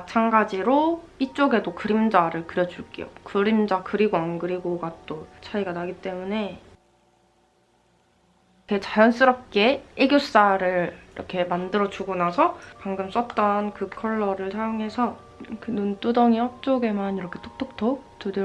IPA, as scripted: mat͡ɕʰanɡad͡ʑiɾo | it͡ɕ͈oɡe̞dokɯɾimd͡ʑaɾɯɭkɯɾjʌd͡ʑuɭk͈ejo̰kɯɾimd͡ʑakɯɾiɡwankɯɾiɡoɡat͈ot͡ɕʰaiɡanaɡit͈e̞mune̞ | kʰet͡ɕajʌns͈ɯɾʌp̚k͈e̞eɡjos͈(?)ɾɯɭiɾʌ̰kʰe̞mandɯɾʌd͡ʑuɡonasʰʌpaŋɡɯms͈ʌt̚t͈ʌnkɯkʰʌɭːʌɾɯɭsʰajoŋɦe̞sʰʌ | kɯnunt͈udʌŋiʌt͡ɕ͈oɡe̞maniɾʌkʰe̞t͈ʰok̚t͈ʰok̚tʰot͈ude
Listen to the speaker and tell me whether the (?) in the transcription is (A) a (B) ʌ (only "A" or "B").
A